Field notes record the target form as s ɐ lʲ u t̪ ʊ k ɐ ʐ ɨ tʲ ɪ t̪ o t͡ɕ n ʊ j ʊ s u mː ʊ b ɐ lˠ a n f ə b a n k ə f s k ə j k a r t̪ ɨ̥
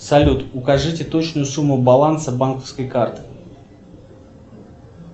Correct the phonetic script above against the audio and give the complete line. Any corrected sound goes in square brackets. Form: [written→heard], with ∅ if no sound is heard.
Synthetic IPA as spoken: s ɐ lʲ u t̪ ʊ k ɐ ʐ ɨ tʲ ɪ t̪ o t͡ɕ n ʊ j ʊ s u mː ʊ b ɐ lˠ a n [f→s] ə b a n k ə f s k ə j k a r t̪ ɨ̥